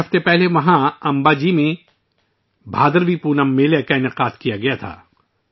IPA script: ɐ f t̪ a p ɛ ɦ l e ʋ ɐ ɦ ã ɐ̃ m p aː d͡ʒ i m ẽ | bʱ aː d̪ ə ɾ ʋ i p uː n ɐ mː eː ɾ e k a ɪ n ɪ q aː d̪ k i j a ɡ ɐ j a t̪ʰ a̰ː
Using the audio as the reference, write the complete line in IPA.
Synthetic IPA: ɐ f t̪ e p ɛ ɦ l e ʋ ɐ ɦ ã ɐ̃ m b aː d͡ʒ i m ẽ | bʱ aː d̪ ə ɾ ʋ i p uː n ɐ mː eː l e k a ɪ n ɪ q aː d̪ k i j a ɡ ɐ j a t̪ʰ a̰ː